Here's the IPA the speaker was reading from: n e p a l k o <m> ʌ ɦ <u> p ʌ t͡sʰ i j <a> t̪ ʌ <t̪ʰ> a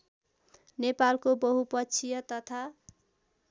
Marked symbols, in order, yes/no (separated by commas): no, yes, no, yes